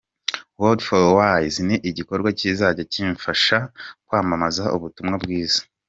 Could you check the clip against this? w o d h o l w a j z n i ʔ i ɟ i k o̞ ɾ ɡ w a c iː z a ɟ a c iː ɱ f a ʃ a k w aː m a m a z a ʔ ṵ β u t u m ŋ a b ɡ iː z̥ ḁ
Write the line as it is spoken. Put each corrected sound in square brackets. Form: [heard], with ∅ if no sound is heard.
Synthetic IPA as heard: w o d [f] o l w a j z n i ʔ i ɟ i k o̞ ɾ ɡ w a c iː z a ɟ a c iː ɱ f a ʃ a k w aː m a m a z a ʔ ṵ β u t u m ŋ a b ɡ iː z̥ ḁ